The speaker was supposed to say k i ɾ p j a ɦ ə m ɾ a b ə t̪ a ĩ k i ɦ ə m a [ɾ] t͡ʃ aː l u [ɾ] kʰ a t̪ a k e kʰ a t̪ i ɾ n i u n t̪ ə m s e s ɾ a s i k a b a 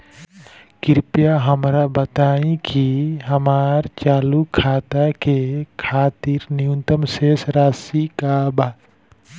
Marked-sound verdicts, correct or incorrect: correct, incorrect

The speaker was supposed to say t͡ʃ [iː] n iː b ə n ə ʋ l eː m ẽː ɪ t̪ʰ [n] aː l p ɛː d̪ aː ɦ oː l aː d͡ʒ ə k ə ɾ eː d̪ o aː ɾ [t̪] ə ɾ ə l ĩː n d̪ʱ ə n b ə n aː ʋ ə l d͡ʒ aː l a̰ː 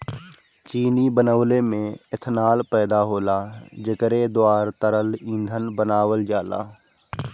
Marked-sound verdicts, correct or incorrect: correct, correct, correct

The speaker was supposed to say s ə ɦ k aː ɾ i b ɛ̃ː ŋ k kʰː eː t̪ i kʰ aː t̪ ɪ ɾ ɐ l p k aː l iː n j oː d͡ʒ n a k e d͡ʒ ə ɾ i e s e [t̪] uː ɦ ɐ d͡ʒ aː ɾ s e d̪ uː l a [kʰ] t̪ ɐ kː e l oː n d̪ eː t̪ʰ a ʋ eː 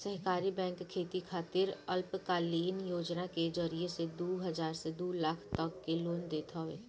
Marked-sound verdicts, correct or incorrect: incorrect, correct

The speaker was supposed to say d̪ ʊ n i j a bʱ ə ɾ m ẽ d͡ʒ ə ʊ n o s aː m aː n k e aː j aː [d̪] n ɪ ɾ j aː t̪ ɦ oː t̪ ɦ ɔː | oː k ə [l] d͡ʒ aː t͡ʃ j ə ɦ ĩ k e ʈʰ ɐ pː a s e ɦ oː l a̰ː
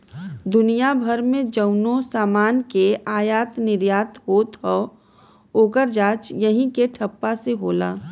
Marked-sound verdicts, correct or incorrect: incorrect, incorrect

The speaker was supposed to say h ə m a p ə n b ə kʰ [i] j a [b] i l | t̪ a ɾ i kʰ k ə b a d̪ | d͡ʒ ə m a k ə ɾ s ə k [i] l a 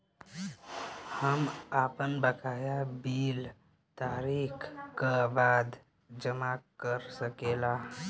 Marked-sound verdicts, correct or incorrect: incorrect, correct, incorrect

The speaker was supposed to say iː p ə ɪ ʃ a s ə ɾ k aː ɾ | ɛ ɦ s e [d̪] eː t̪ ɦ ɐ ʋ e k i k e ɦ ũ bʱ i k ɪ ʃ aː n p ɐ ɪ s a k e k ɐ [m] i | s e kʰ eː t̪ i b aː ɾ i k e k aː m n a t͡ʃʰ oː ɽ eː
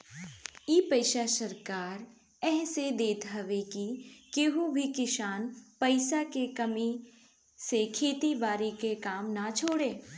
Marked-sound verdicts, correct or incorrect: correct, correct

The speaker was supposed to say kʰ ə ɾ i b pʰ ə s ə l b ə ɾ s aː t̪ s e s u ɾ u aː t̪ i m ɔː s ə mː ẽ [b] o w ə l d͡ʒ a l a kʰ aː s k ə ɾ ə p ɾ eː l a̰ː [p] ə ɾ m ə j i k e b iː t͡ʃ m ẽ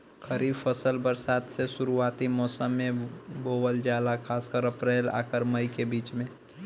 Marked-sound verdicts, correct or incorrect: correct, incorrect

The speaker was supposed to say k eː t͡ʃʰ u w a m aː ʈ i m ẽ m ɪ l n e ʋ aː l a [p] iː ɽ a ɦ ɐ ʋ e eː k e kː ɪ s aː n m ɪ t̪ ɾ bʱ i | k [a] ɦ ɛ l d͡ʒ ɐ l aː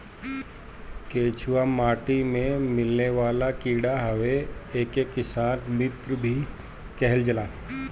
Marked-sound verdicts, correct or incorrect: incorrect, incorrect

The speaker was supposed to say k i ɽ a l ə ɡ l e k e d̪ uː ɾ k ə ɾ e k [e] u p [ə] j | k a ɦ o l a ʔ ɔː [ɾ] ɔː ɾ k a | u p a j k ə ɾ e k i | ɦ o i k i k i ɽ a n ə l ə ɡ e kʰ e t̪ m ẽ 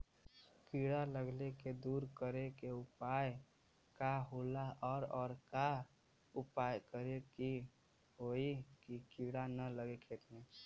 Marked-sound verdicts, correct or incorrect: correct, incorrect, correct

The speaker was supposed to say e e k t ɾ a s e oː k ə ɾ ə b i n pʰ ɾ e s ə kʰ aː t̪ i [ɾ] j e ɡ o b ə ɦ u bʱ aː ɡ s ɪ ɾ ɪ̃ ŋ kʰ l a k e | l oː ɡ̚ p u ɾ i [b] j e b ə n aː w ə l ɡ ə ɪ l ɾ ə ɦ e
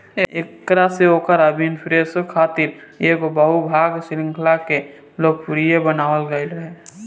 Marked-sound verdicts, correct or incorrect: correct, incorrect

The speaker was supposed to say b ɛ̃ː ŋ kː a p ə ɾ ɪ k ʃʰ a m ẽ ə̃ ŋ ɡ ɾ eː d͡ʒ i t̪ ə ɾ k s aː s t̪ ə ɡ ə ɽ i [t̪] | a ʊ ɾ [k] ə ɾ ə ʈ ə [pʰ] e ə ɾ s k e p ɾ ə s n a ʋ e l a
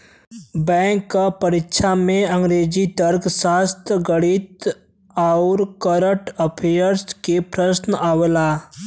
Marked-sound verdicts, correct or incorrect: correct, correct, correct

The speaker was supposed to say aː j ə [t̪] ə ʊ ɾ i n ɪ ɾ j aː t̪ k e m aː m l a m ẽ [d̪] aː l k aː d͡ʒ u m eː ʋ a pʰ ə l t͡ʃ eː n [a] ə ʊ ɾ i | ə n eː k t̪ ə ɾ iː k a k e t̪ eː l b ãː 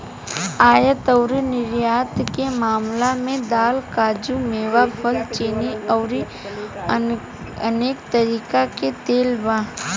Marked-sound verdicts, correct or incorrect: correct, correct, incorrect

